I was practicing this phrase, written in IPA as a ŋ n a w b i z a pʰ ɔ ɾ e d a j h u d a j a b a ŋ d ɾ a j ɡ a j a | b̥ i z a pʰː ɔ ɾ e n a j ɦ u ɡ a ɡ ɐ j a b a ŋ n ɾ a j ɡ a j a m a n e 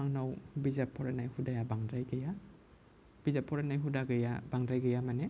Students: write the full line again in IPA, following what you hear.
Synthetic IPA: a ŋ n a w b i z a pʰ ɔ ɾ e n a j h u d a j a b a ŋ d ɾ a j ɡ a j a | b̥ i z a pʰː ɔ ɾ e n a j ɦ u d a ɡ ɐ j a b a ŋ d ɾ a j ɡ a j a m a n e